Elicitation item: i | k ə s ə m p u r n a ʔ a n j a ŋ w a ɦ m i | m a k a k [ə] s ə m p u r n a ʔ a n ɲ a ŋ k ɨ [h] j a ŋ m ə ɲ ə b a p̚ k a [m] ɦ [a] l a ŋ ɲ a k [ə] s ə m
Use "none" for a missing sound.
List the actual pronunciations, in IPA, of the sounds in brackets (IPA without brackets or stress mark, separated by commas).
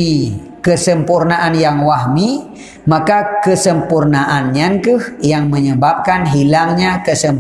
ə, h, n, i, ə